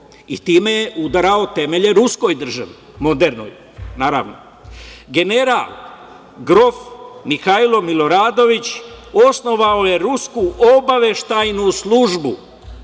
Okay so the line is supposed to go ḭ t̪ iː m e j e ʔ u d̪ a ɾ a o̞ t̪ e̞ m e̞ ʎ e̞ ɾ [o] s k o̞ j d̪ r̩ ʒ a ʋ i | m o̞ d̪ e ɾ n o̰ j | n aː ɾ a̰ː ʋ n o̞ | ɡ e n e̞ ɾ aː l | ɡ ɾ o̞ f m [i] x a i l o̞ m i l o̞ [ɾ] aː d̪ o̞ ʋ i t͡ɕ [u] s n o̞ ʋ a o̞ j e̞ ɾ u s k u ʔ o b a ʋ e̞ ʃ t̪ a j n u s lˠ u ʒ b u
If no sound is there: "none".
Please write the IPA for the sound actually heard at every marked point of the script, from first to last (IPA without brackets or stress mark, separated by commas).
u, i, ɾ, o